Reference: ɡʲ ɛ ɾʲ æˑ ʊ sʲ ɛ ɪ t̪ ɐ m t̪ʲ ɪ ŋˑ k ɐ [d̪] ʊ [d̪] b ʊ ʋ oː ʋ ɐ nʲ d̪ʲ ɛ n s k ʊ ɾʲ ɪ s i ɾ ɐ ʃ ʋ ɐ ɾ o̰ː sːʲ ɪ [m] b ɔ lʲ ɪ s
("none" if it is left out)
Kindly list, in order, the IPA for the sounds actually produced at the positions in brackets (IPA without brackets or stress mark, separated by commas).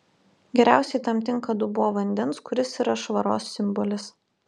d̪, none, m